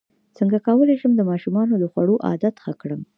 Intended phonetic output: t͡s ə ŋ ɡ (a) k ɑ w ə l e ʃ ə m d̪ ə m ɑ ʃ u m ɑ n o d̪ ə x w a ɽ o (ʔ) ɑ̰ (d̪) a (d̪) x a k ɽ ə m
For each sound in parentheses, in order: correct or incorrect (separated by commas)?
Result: correct, correct, correct, incorrect